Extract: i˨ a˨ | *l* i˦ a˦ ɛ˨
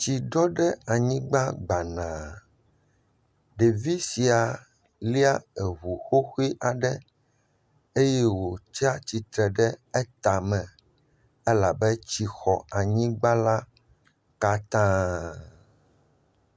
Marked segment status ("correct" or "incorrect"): correct